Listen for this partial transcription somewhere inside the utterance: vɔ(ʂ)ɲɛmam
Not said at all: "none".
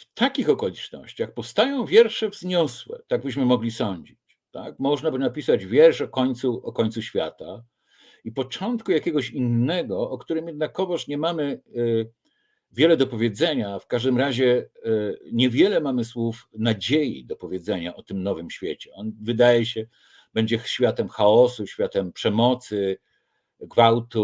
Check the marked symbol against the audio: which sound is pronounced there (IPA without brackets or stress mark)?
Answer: ʂ